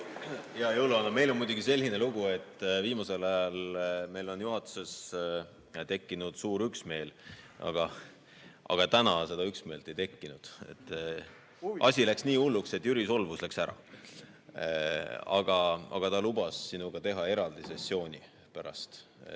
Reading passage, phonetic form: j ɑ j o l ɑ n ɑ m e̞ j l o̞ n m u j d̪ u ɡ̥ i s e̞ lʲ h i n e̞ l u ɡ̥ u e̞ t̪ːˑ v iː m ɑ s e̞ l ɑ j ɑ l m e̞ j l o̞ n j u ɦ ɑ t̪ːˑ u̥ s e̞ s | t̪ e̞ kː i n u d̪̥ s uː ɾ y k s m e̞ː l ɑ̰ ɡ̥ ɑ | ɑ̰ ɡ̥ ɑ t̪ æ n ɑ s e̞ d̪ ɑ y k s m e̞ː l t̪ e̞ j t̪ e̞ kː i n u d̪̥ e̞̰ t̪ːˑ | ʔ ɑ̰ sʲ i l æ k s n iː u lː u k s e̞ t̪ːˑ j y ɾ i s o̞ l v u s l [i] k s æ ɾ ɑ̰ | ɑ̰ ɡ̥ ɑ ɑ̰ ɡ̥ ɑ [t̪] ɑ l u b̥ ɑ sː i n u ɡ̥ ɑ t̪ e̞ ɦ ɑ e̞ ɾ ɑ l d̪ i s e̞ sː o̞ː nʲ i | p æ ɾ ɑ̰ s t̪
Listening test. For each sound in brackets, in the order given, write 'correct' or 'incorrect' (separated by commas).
incorrect, correct